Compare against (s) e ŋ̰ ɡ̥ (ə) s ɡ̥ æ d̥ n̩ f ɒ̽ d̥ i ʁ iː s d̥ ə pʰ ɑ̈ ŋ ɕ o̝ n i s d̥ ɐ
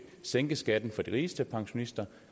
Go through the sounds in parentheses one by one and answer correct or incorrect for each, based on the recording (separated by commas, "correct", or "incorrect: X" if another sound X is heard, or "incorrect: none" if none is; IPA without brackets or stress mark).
correct, correct